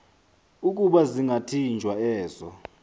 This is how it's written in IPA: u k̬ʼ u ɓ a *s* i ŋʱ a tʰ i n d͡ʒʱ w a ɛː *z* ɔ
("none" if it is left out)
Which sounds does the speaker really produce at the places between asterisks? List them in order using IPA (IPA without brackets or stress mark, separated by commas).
z, z